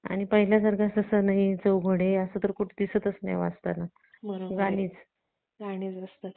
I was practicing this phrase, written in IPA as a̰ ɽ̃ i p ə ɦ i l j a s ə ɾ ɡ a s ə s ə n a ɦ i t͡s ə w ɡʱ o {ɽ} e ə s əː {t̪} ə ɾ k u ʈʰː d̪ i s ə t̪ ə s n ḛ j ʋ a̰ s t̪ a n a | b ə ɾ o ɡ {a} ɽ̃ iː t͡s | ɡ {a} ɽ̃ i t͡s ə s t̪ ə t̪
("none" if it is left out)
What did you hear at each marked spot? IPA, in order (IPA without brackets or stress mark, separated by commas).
ɽ, t̪, a, a